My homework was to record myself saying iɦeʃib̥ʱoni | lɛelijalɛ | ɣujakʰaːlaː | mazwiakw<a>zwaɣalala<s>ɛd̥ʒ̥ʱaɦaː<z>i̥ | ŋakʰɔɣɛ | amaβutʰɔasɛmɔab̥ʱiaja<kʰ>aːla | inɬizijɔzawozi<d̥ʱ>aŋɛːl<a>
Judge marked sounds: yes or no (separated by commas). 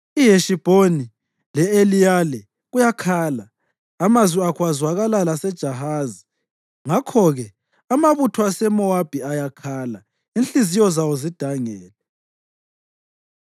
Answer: yes, yes, yes, yes, yes, no